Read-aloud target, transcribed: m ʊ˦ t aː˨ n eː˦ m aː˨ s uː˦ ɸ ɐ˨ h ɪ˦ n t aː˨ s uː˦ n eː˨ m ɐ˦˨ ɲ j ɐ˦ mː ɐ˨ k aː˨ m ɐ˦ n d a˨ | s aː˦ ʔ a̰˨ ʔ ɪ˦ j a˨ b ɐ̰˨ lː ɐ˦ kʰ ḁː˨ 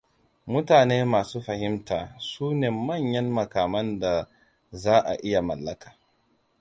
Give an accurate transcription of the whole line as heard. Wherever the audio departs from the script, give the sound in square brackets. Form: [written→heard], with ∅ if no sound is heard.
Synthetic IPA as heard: m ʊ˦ t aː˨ n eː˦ m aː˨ s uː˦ ɸ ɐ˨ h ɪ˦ [n→m] t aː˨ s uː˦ n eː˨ m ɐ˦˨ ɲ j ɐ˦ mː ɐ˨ k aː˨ m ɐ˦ n d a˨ | [s→z] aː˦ ʔ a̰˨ ʔ ɪ˦ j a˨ [b→m] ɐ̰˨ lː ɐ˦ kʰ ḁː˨